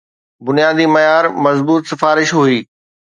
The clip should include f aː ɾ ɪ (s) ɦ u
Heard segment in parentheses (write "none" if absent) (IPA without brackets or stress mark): ʃ